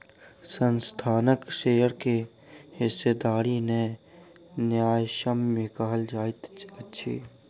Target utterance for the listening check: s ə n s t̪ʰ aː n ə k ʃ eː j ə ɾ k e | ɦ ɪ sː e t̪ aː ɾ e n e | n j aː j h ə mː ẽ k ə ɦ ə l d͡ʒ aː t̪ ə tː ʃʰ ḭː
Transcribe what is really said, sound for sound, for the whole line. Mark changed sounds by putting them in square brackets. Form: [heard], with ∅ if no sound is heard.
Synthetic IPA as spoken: s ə n s t̪ʰ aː n ə k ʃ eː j ə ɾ k e | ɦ ɪ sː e [d̪] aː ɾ [i] n e | n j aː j [ʃ] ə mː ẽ k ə ɦ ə l d͡ʒ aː t̪ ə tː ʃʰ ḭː

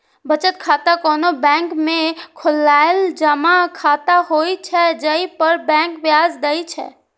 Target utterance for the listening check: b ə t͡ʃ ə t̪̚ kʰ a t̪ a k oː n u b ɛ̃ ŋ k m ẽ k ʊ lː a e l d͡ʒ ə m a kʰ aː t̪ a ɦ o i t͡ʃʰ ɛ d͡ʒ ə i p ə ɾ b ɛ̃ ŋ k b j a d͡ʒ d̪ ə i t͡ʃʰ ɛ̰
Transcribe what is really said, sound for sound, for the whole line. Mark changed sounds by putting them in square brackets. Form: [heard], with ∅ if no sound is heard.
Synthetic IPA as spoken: b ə t͡ʃ ə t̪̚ kʰ a t̪ a k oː n [o] b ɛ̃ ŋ k m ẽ [kʰ] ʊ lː a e l d͡ʒ ə m a kʰ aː t̪ a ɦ o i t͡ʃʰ ɛ d͡ʒ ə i p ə ɾ b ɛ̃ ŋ k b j a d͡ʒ d̪ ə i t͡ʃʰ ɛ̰

